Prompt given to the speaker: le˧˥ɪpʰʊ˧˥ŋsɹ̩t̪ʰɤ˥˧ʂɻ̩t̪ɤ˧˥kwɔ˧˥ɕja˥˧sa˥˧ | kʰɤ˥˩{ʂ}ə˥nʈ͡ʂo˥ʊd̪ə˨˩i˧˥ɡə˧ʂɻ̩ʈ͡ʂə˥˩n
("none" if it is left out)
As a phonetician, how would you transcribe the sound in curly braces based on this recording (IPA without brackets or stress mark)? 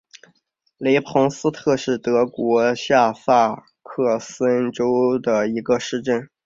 s